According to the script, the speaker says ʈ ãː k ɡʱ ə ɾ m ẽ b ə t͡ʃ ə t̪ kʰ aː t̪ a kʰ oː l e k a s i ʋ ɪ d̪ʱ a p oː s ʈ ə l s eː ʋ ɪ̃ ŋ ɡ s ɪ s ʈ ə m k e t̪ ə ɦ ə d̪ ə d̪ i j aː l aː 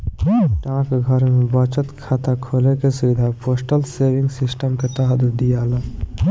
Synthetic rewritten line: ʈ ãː k ɡʱ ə ɾ m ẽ b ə t͡ʃ ə t̪ kʰ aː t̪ a kʰ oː l e k e s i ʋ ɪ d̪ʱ a p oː s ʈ ə l s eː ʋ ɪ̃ ŋ ɡ s ɪ s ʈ ə m k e t̪ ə ɦ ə d̪ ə d̪ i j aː l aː